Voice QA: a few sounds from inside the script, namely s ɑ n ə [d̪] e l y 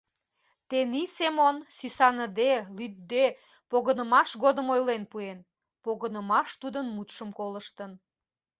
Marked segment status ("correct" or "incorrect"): correct